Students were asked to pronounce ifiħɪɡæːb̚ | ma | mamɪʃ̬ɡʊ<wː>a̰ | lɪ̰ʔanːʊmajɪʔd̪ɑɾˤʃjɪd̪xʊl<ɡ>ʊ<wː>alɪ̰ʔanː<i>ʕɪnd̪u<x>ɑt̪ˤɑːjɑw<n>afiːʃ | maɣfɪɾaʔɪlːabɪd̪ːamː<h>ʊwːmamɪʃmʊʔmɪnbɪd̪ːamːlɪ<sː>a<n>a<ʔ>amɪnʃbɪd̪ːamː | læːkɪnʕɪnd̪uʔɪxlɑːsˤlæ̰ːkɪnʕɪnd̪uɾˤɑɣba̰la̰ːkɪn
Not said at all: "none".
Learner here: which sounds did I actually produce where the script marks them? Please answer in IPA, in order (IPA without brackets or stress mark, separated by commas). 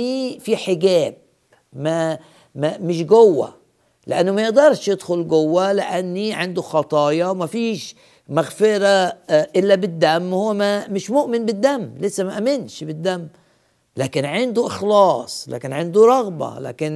wː, ɡ, wː, i, x, m, h, sː, m, ʔ